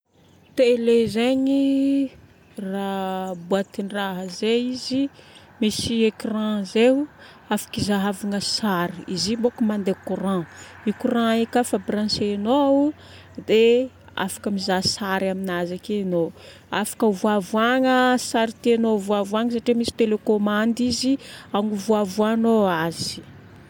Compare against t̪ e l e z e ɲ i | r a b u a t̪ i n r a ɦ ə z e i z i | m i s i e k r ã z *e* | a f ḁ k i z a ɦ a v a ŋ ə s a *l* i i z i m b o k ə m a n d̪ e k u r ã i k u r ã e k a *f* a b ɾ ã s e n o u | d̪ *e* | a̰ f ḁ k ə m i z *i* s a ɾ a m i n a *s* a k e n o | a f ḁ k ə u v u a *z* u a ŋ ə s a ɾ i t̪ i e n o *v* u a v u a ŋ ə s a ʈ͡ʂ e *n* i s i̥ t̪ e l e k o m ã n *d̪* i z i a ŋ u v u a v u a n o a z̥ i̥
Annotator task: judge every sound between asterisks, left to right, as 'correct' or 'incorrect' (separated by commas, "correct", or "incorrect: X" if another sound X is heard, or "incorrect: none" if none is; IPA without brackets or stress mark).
correct, incorrect: ɾ, correct, correct, incorrect: a, incorrect: z, incorrect: v, correct, incorrect: m, correct